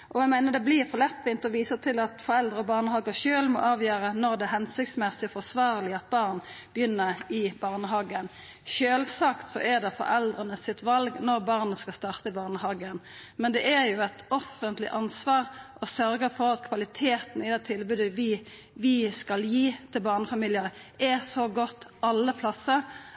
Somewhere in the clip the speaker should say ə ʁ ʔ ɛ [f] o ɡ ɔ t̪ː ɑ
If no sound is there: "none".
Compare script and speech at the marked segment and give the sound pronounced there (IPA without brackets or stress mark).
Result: s